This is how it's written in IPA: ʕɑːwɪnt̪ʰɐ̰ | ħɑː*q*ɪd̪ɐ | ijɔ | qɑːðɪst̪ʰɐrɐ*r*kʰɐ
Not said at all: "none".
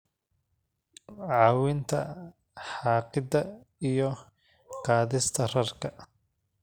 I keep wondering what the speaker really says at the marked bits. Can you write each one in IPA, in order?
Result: q, r

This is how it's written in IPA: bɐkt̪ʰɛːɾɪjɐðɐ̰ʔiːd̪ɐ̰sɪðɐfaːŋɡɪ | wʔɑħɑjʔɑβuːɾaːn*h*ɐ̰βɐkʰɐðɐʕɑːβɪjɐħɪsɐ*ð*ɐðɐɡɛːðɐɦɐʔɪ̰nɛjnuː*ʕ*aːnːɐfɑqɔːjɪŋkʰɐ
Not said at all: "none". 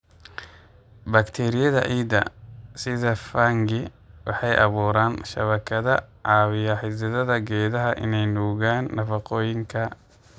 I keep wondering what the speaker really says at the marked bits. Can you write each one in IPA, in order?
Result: ʃ, ð, ɣ

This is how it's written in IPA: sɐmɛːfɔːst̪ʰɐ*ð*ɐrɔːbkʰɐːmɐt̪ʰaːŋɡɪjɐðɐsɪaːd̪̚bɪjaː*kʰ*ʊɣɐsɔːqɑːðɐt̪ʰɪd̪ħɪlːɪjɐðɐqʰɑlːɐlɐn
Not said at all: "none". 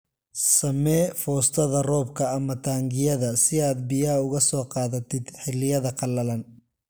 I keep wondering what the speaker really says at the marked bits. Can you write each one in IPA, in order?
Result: ð, none

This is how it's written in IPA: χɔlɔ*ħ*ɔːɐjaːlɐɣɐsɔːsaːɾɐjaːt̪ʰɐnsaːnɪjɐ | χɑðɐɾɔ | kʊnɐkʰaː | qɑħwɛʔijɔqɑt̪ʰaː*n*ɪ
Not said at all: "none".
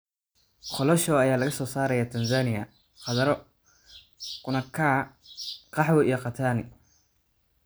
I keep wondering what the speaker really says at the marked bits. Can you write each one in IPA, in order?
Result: ʃ, n

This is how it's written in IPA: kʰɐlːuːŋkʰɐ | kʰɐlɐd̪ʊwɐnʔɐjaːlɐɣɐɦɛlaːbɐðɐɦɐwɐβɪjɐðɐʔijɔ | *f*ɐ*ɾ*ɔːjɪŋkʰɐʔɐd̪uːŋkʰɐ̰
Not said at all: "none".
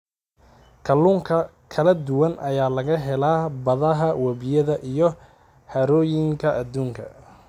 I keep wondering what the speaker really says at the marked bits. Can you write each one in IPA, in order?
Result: h, ɾ

